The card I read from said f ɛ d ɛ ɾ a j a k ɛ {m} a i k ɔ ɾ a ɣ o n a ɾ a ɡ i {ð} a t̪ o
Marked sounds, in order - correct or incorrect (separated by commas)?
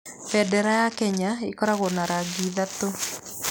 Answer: incorrect, correct